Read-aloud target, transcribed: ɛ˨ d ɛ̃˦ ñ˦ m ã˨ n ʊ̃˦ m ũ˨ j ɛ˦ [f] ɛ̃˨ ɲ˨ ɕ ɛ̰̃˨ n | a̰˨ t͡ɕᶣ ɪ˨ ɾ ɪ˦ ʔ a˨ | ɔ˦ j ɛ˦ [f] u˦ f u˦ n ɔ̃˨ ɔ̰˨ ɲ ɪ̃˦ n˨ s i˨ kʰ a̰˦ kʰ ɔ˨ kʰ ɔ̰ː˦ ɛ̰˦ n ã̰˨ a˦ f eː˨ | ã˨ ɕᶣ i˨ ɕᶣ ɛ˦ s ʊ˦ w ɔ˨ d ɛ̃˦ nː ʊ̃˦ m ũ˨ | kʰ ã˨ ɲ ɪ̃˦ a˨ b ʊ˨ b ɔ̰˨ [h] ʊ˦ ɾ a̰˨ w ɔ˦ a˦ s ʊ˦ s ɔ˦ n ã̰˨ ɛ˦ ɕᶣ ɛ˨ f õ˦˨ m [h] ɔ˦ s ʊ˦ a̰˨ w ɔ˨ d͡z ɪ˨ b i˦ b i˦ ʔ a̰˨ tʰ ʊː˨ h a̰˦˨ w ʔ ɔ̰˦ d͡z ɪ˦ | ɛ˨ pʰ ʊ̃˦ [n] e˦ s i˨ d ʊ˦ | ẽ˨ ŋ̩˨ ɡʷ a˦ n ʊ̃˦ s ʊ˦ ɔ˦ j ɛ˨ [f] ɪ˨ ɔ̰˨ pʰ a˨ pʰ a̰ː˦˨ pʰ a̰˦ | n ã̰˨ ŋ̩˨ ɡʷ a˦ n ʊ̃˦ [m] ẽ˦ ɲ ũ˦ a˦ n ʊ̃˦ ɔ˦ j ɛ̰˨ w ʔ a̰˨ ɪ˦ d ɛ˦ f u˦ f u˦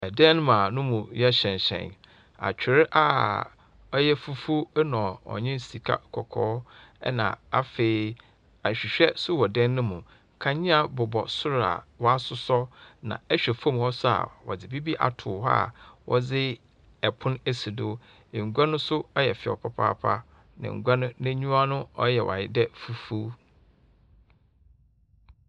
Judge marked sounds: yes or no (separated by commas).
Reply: no, yes, no, yes, yes, yes, no